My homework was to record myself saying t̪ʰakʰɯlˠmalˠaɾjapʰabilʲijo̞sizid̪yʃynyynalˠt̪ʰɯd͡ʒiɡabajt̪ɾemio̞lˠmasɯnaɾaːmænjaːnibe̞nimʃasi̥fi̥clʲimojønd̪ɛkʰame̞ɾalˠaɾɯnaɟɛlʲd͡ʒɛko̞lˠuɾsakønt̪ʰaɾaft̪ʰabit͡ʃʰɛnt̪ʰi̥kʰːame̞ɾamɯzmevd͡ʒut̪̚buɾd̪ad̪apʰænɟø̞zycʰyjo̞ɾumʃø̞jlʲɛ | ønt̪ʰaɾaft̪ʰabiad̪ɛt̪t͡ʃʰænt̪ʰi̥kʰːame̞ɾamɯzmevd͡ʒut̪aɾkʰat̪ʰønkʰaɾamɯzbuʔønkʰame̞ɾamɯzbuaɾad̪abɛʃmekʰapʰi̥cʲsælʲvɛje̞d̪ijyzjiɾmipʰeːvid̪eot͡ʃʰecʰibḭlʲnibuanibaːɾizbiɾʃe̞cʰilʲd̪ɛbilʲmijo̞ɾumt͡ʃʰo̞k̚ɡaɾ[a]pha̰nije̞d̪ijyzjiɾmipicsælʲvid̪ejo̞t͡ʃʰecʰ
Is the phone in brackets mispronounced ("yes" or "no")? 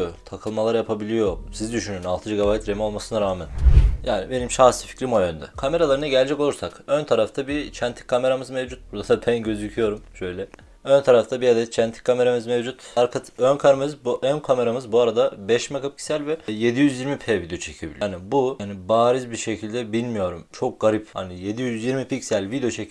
yes